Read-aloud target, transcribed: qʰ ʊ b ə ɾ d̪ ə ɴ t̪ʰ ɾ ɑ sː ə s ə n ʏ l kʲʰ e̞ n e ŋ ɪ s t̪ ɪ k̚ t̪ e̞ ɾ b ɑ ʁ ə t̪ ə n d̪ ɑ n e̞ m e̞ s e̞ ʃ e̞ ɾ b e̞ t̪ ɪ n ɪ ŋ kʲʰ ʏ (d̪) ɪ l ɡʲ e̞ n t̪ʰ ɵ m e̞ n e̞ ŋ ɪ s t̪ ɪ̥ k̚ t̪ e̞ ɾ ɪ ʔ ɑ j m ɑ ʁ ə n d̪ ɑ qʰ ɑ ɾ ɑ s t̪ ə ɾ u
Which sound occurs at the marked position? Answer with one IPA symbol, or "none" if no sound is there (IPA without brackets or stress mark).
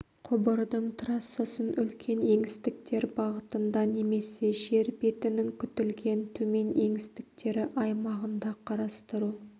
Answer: t̪